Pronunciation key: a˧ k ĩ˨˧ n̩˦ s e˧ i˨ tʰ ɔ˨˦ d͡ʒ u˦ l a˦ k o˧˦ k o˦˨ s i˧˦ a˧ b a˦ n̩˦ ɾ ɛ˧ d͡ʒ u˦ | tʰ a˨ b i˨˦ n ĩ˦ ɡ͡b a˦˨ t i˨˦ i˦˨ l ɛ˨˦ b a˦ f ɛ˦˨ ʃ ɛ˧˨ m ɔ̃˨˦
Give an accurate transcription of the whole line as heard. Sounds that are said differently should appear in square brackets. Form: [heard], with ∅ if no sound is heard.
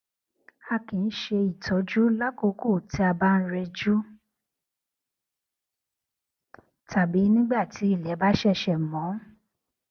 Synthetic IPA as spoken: a˧ k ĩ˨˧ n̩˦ [ʃ] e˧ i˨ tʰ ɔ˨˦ d͡ʒ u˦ l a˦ k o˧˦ k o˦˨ [t] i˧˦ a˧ b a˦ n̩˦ ɾ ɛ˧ d͡ʒ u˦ | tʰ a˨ b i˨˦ n ĩ˦ ɡ͡b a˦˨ t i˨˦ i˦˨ l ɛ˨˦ b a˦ [ʃ] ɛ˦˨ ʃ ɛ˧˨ m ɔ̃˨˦